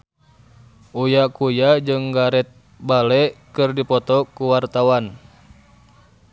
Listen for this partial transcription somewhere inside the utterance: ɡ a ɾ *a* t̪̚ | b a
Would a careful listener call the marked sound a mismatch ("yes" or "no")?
yes